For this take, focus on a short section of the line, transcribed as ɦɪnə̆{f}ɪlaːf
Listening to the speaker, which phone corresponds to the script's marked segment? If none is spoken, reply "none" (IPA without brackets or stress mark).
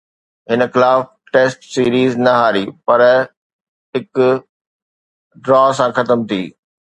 x